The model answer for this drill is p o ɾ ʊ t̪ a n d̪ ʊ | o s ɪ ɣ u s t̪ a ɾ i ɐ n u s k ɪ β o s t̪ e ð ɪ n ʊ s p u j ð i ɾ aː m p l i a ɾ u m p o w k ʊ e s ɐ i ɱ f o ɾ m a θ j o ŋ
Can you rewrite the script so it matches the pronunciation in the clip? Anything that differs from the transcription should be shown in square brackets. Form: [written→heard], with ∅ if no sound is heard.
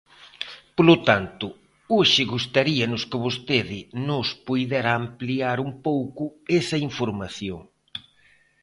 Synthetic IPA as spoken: p o [ɾ→l] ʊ t̪ a n [d̪→t̪] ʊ | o [s→ʃ] ɪ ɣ u s t̪ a ɾ i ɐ n [u→ʊ] s k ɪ β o s t̪ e ð ɪ n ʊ s p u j ð [i→ɛ] ɾ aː m p l i a ɾ u m p o w k ʊ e s ɐ i ɱ f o ɾ m a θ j o ŋ